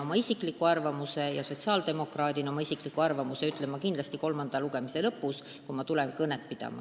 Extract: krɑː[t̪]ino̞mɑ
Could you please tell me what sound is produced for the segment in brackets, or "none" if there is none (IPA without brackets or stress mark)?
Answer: d̪